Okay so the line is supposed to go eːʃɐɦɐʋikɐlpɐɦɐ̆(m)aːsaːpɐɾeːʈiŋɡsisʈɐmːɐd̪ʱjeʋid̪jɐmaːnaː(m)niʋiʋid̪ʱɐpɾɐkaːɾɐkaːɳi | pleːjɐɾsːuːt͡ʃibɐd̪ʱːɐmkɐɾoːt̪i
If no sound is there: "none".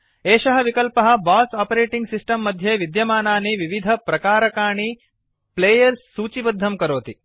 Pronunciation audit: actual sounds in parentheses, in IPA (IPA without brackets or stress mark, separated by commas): b, none